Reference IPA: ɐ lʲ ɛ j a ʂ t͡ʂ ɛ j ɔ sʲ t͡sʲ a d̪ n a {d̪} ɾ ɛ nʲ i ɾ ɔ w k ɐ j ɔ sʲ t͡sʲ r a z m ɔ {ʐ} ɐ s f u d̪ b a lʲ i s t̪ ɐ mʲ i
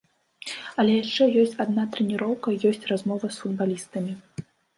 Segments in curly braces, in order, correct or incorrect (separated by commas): incorrect, incorrect